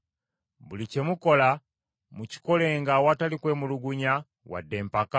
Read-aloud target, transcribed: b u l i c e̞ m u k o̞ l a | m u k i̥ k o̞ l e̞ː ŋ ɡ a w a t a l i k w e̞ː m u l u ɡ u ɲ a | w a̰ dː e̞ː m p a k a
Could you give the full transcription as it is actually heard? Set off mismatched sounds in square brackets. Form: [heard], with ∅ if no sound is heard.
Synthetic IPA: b u l i c e̞ m u k o̞ l a | m u [c] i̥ k o̞ l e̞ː ŋ ɡ a w a t a l i k w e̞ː m u l u ɡ u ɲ a | w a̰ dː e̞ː m p a k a